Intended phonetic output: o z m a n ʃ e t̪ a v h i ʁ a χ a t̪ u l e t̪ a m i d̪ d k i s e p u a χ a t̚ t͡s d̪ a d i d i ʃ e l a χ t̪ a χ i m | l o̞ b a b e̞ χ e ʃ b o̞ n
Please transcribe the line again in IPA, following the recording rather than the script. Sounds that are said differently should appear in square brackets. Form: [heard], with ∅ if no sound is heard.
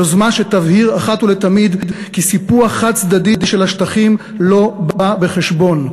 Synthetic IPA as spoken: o z m a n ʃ e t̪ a v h i ʁ a χ a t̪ u l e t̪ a m i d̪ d k i s [i] p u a χ a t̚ t͡s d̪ a d i d i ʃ e l a [ʃ] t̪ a χ i m | l o̞ b a b e̞ χ e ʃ b o̞ n